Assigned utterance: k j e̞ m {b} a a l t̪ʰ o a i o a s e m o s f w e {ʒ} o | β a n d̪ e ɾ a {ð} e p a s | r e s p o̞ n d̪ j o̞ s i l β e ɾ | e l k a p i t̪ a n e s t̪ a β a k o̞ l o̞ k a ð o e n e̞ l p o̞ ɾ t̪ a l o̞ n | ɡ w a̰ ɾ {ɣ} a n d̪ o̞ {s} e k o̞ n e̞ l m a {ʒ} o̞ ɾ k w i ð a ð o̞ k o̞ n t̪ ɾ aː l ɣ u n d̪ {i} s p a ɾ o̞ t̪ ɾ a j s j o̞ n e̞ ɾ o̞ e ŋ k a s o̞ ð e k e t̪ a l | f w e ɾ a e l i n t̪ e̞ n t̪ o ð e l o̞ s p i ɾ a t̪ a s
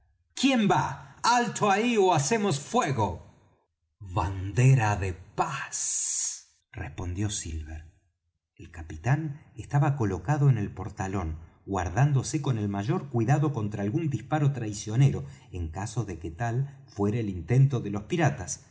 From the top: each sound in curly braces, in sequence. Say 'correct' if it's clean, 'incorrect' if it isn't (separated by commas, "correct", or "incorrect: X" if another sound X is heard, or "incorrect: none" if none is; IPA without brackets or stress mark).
correct, incorrect: ɣ, correct, incorrect: ð, correct, correct, correct